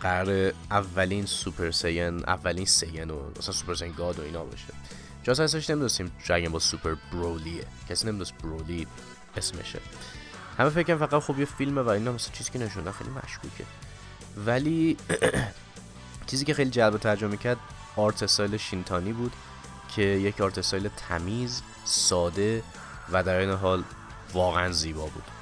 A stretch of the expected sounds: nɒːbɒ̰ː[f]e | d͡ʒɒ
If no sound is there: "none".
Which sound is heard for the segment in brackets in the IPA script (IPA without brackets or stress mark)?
ʃ